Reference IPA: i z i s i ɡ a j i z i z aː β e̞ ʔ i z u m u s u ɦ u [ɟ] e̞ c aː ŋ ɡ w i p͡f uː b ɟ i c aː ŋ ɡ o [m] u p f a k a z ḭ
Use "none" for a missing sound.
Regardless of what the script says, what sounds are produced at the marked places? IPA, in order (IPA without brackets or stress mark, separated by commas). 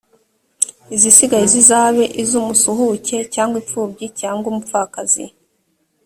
c, m